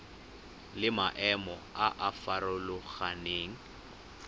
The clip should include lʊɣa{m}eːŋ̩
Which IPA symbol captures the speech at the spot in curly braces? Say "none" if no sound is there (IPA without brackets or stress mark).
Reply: n